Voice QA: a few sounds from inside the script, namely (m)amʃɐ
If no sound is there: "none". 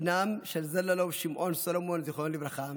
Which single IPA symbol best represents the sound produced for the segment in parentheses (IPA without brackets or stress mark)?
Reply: n